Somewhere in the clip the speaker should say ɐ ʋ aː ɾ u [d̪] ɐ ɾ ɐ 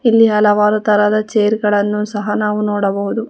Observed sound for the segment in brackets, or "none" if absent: t̪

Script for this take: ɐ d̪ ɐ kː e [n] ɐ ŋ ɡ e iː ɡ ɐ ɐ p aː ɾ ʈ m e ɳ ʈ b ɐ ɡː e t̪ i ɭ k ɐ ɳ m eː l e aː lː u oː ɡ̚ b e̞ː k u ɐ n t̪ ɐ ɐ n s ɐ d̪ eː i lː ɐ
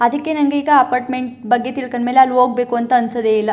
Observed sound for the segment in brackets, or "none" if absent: n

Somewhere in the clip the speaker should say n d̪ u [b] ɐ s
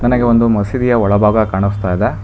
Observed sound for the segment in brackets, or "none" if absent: m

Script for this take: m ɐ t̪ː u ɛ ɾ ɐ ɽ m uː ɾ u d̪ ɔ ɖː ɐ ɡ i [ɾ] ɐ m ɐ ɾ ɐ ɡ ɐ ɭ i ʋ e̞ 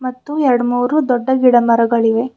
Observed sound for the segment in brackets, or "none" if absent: ɽ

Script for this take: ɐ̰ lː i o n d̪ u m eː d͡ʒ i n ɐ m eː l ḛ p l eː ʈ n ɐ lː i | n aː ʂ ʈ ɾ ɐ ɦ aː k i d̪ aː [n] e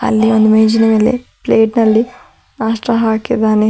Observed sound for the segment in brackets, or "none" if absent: n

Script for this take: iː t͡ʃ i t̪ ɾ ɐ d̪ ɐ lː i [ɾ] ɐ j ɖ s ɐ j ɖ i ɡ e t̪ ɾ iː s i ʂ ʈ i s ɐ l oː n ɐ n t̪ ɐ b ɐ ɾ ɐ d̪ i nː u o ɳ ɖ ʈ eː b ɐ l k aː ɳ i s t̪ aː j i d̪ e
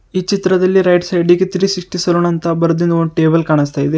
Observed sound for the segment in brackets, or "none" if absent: ɾ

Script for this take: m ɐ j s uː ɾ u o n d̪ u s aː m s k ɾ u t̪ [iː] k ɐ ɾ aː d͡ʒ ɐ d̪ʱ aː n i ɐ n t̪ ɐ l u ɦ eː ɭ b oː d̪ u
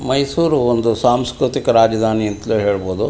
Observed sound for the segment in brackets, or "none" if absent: i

